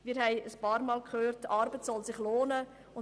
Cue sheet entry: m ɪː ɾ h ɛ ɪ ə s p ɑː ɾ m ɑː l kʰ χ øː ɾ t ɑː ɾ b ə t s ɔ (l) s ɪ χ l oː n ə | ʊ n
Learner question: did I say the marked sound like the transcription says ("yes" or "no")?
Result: yes